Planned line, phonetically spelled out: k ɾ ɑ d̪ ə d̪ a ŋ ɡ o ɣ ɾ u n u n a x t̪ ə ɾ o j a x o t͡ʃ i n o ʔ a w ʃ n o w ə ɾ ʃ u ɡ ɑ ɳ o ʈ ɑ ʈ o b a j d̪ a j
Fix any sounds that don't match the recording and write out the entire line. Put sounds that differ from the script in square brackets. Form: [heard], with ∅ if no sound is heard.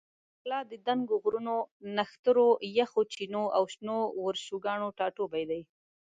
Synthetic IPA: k [l] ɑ d̪ ə d̪ a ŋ ɡ o ɣ ɾ u n [o] n a x t̪ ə ɾ o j a x o t͡ʃ i n o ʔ a w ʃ n o w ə ɾ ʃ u ɡ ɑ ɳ o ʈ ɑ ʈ o b a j d̪ a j